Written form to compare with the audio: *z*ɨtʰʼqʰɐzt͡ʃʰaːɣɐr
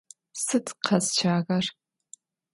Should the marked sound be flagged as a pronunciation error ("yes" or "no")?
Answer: yes